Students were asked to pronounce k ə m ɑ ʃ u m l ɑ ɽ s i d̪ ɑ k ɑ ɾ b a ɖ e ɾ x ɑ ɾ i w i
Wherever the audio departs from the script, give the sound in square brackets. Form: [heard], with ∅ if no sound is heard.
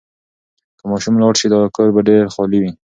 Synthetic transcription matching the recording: k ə m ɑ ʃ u m l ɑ ɽ [ʃ] i d̪ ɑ k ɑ ɾ b a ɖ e ɾ x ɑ [l] i w i